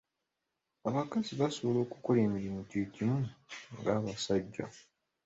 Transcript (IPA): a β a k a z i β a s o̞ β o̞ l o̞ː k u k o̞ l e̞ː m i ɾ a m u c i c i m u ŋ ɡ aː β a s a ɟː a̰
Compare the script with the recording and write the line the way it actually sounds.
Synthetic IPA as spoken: a β a k a z i β a s o̞ β o̞ l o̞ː k u k o̞ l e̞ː m i ɾ i m u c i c i m u ŋ ɡ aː β a s a ɟː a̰